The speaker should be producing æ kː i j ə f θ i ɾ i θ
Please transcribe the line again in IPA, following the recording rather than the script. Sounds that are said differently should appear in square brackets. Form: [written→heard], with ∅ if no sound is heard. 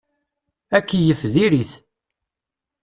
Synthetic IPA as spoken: æ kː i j ə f [θ→ð] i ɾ i θ